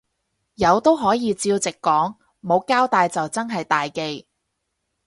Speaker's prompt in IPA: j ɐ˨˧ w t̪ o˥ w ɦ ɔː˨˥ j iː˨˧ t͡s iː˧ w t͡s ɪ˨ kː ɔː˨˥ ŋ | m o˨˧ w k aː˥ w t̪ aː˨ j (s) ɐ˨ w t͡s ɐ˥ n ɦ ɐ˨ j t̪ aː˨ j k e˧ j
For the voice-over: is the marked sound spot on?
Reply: no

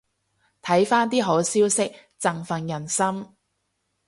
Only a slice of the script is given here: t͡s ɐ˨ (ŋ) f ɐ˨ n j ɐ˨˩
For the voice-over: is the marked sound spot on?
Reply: yes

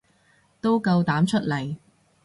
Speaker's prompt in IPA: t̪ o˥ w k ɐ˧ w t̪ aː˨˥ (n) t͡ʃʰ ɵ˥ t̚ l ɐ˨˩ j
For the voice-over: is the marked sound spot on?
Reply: no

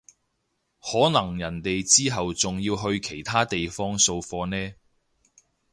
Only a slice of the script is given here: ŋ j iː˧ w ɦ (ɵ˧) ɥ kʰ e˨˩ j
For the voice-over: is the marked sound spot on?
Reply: yes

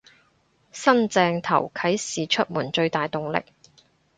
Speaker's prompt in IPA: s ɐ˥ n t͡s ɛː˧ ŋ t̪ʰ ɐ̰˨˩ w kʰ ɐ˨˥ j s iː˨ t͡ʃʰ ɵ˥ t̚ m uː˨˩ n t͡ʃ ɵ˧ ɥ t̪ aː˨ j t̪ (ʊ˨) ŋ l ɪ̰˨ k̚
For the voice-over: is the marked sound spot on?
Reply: yes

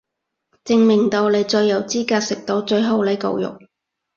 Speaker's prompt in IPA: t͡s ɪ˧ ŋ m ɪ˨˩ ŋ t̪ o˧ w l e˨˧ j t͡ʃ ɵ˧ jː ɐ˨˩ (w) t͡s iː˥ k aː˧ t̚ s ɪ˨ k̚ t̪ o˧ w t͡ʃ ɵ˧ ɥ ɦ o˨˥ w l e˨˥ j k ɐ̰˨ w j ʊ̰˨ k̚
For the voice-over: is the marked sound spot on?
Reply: yes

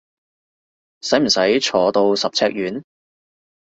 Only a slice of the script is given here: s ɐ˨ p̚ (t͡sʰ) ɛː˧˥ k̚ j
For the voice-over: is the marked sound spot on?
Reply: yes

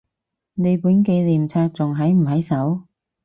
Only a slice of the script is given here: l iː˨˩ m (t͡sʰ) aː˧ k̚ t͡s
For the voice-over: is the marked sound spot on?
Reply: yes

